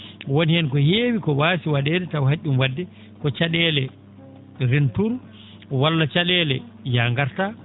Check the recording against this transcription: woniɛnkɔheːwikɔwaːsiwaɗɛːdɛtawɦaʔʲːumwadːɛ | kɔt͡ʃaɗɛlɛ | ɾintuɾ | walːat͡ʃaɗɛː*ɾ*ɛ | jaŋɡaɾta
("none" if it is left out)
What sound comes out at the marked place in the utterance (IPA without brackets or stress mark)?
l